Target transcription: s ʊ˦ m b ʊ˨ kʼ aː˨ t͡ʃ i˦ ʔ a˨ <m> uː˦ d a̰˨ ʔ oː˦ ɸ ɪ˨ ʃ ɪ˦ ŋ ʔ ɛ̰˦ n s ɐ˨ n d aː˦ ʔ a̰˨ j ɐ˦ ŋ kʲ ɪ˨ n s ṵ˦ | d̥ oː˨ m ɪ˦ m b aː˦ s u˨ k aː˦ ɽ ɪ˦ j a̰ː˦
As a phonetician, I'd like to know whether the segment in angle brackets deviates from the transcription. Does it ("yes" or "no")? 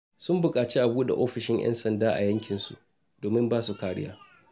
yes